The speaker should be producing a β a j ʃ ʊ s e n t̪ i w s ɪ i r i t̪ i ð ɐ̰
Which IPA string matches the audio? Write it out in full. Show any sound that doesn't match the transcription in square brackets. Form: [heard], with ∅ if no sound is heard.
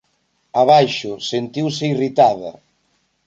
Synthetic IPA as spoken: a β a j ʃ ʊ s e n t̪ i w s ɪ i r i t̪ [a] ð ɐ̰